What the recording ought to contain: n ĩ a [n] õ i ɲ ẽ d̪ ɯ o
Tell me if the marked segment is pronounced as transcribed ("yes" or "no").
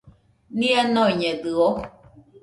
yes